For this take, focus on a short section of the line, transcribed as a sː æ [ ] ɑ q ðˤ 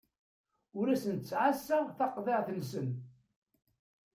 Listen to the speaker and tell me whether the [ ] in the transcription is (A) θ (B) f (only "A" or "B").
A